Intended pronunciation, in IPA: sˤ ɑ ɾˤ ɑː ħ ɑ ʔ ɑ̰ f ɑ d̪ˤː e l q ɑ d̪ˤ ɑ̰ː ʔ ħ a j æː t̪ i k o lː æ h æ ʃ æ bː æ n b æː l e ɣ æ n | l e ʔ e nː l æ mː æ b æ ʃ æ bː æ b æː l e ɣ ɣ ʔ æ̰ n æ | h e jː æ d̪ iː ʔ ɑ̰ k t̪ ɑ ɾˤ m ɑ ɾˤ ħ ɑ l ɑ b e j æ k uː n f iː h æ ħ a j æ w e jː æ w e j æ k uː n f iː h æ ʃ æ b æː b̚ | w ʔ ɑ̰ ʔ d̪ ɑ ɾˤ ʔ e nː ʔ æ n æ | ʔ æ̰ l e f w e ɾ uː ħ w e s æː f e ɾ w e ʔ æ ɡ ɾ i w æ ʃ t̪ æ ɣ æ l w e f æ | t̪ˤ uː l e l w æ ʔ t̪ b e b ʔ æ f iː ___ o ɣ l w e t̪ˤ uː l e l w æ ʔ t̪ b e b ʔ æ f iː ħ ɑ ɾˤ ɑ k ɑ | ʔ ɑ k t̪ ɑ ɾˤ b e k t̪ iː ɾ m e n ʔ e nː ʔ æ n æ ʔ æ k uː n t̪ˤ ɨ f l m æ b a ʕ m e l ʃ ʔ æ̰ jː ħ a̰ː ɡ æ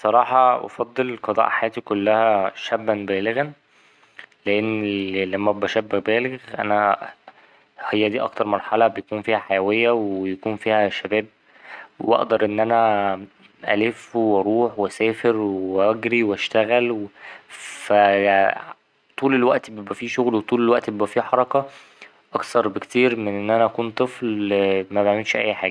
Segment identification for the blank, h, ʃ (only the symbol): ʃ